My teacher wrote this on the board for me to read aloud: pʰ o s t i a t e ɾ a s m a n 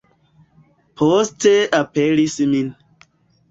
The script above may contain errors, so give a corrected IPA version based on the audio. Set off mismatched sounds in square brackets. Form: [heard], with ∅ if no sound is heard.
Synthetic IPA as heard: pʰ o s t [e] a [p] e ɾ [i] s m [i] n